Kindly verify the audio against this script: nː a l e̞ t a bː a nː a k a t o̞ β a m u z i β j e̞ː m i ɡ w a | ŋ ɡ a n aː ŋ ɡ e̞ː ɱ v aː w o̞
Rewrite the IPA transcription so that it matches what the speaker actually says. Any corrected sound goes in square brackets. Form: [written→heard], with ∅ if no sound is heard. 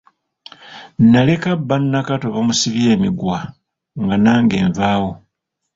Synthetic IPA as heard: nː a l e̞ [t→k] a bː a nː a k a t o̞ β a m u [z→s] i β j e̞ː m i ɡ w a | ŋ ɡ a n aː ŋ ɡ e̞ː ɱ v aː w o̞